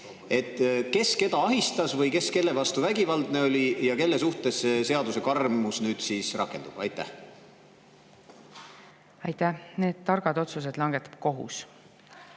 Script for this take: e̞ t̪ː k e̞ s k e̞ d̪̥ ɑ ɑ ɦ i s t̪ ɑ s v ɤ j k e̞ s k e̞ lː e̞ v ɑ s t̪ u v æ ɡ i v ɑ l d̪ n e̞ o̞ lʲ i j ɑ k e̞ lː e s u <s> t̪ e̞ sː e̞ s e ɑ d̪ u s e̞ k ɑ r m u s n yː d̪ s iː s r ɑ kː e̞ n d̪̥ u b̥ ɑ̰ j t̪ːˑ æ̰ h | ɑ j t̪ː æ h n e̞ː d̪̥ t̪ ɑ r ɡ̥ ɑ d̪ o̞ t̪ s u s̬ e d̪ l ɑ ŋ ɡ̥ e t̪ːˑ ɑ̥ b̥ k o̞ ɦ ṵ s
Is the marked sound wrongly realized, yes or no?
yes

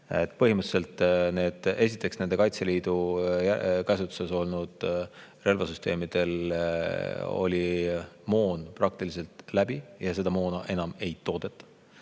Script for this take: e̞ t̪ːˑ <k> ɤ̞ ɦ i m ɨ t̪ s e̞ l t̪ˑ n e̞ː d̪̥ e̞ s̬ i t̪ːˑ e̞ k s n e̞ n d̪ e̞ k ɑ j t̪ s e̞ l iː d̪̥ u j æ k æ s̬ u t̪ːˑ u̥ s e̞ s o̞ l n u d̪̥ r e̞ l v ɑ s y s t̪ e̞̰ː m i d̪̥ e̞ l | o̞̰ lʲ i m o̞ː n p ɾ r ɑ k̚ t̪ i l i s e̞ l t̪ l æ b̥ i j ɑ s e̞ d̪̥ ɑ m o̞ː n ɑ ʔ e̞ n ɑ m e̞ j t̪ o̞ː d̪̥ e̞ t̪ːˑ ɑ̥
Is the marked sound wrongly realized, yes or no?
yes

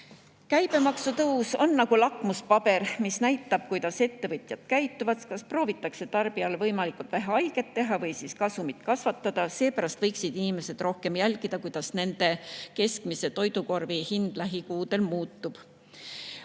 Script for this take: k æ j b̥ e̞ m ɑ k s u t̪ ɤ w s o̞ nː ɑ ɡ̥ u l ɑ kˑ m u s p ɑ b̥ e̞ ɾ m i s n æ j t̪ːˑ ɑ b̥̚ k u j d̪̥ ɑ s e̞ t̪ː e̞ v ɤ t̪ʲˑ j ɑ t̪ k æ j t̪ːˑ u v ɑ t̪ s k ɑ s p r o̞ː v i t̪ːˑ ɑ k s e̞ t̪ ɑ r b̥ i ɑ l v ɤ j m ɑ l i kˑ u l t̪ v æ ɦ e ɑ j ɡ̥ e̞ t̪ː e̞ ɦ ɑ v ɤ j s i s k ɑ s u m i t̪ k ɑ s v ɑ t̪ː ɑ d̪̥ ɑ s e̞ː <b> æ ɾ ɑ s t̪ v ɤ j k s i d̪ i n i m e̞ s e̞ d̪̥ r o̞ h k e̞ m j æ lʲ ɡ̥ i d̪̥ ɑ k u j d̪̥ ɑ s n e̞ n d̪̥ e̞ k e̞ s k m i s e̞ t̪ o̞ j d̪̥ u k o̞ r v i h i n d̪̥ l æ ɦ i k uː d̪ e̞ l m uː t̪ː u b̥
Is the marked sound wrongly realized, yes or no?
yes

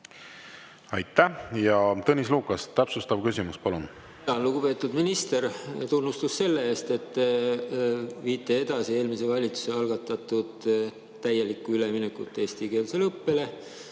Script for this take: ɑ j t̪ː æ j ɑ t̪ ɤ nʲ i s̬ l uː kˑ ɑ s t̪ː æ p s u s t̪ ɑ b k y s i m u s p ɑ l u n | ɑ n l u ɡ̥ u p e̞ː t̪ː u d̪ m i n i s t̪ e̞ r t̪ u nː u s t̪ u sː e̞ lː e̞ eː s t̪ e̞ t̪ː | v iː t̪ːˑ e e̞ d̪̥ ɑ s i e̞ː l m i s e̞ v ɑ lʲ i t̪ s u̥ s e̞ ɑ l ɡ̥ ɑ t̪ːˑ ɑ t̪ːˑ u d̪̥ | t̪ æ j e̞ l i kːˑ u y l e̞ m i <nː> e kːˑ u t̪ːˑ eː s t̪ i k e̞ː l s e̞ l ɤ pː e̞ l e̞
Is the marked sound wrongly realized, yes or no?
yes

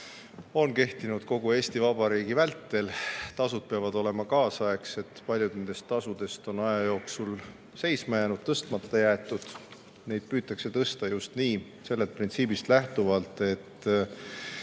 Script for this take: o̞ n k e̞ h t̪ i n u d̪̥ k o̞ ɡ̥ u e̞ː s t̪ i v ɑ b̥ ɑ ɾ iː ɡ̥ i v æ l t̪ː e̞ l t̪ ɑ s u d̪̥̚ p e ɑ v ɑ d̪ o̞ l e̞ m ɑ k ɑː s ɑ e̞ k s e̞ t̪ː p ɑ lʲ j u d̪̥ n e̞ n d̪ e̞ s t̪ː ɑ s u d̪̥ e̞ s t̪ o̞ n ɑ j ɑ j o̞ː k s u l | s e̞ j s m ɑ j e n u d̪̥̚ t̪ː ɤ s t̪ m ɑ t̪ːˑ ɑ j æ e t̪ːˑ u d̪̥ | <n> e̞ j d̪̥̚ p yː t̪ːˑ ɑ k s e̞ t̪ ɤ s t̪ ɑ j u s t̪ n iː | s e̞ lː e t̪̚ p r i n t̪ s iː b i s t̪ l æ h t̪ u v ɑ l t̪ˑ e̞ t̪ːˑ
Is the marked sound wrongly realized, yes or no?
no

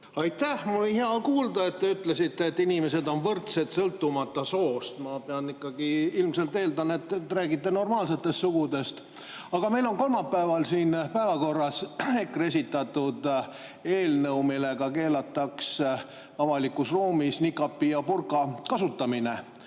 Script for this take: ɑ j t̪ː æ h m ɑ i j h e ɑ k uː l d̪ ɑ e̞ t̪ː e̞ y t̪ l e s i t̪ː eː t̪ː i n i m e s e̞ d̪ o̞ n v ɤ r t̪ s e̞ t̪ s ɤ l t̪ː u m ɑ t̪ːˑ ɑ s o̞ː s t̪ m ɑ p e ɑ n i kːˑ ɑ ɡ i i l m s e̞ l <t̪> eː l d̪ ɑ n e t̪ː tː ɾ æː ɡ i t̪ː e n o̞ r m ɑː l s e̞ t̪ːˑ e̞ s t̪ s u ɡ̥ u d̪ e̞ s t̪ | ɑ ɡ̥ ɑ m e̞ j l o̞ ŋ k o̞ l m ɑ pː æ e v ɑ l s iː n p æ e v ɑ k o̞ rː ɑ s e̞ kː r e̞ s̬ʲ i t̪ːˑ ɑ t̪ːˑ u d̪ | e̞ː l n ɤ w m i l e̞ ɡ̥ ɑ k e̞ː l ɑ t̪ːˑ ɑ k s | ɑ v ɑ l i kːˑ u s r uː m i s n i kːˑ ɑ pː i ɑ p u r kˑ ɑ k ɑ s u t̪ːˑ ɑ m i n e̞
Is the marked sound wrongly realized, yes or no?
no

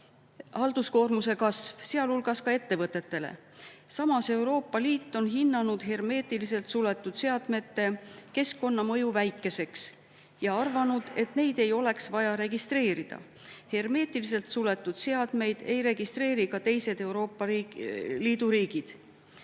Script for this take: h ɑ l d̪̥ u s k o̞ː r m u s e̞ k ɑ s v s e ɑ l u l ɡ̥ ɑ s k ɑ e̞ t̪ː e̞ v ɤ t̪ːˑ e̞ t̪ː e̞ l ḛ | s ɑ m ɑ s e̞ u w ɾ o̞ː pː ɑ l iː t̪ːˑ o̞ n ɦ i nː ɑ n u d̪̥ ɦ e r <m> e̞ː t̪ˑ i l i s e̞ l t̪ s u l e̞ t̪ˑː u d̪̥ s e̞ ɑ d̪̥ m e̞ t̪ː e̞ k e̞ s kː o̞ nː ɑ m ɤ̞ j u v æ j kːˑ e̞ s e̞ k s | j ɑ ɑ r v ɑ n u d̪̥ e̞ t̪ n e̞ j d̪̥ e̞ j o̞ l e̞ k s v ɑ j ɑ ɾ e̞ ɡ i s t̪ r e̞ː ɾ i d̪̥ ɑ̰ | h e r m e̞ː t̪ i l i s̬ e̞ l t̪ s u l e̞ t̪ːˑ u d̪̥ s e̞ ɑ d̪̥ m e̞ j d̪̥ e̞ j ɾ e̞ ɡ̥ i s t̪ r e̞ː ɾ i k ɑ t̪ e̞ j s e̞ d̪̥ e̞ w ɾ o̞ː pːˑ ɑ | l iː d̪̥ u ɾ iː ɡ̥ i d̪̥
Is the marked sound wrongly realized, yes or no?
no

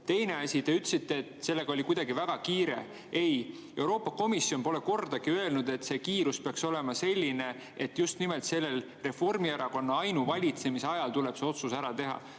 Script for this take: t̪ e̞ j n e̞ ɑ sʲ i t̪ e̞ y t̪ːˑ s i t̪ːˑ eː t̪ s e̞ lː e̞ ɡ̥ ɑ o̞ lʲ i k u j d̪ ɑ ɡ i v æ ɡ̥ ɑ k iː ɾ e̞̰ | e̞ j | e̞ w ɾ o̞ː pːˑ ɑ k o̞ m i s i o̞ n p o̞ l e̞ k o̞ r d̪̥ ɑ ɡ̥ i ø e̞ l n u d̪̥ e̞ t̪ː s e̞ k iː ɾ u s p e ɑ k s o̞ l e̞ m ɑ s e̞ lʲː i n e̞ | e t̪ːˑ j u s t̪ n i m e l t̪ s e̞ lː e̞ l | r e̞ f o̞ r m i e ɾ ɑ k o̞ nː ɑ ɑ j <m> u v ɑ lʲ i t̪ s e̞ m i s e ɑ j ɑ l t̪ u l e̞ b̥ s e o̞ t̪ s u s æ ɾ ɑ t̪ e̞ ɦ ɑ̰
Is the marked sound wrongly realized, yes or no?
yes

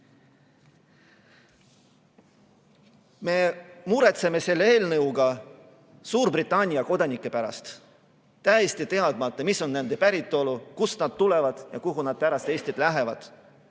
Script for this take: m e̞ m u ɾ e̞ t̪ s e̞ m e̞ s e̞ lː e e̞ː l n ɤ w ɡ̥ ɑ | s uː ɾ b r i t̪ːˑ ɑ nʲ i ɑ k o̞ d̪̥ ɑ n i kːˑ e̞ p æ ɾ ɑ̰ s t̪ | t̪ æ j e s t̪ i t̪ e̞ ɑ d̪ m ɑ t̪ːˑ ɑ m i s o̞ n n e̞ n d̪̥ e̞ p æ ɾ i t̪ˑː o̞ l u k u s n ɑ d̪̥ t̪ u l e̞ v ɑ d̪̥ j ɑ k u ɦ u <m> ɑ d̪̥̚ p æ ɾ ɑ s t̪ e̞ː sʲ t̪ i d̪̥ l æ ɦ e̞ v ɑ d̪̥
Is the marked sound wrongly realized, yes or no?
yes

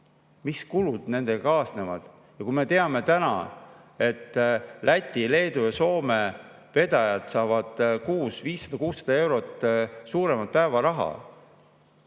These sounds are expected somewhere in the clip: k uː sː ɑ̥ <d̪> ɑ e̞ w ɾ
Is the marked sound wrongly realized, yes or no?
no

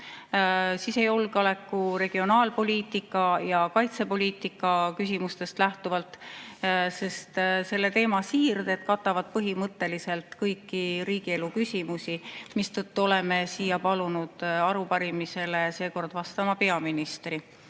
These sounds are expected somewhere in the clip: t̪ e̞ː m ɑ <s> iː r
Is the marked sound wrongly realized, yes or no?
no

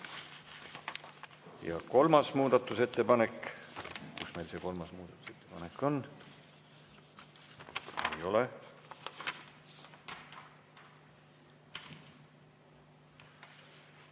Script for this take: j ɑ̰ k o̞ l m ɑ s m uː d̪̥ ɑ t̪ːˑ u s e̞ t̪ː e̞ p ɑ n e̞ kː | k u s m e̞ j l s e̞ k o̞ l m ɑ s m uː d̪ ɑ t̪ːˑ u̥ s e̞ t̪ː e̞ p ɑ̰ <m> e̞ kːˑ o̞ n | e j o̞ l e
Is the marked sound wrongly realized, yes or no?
yes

